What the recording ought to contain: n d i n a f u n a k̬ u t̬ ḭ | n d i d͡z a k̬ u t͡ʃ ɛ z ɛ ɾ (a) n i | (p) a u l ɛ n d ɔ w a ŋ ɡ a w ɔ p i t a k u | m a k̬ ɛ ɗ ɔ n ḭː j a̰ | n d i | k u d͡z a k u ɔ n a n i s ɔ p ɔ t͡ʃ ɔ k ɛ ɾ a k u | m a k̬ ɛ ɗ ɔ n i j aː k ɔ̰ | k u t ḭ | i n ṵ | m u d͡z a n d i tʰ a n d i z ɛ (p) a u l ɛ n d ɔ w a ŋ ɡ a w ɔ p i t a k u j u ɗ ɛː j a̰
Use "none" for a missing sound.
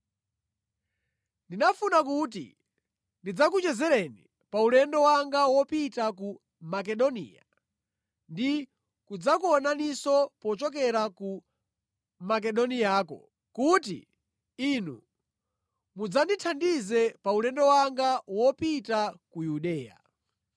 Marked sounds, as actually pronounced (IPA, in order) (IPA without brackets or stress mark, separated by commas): ɛ, p, p